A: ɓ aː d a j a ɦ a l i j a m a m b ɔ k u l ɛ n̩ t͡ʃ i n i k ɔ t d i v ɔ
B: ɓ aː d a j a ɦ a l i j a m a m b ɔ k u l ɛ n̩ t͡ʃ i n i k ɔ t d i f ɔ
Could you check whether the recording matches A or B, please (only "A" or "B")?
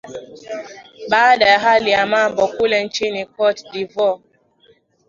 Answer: A